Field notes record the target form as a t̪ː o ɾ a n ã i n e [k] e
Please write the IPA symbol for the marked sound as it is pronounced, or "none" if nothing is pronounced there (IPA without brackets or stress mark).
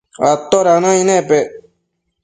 p